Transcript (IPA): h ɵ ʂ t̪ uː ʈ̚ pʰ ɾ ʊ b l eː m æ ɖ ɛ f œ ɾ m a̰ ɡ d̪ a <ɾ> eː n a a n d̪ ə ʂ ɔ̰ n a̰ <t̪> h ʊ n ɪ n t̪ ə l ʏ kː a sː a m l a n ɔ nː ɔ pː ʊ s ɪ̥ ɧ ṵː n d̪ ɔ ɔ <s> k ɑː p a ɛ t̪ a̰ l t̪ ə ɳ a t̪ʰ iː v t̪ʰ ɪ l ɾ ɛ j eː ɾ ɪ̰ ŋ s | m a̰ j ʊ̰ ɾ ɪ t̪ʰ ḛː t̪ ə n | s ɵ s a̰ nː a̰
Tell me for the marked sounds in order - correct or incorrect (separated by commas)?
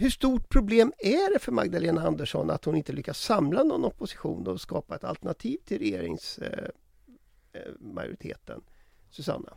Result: incorrect, correct, correct